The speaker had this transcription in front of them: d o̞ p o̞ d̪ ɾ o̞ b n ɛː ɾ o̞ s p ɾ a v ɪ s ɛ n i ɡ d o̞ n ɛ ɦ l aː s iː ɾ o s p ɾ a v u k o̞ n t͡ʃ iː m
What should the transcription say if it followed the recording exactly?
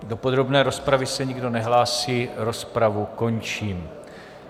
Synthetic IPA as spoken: d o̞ p o̞ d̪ ɾ o̞ b n ɛː ɾ o̞ s p ɾ a v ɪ s ɛ ɲ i ɡ d o̞ n ɛ ɦ l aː s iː ɾ o s p ɾ a v u k o̞ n t͡ʃ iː m